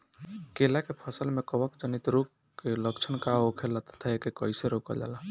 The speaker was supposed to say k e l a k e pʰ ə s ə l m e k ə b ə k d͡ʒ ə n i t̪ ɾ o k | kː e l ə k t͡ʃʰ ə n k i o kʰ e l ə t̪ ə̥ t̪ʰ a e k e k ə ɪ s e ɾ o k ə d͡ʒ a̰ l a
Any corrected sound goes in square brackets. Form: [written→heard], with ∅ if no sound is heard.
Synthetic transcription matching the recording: k e l a k e pʰ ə s ə l m e k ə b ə k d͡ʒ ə n i t̪ ɾ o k | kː e l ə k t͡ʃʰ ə n k [i→a] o kʰ e l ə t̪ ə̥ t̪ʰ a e k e k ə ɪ s e ɾ o k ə d͡ʒ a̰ l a